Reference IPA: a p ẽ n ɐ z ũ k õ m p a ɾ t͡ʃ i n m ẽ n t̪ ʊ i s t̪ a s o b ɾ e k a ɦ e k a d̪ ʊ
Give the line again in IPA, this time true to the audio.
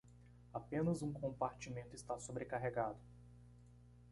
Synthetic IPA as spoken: a p ẽ n ɐ z ũ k õ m p a ɾ t͡ʃ i m ẽ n t̪ ʊ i s t̪ a s o b ɾ e k a ɦ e ɡ a d̪ ʊ